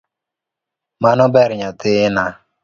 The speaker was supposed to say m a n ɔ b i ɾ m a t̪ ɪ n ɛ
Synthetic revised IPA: m a n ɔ b ɛ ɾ ɲ a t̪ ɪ n a